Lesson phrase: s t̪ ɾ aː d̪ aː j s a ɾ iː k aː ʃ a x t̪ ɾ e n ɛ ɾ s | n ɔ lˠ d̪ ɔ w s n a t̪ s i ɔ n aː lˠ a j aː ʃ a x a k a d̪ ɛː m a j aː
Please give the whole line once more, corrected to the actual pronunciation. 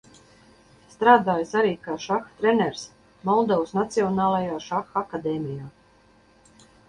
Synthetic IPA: s t̪ ɾ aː d̪ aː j s a ɾ iː k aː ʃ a x t̪ ɾ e n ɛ ɾ s | m ɔ lˠ d̪ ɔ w s n a t̪ s i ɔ n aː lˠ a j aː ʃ a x a k a d̪ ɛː m i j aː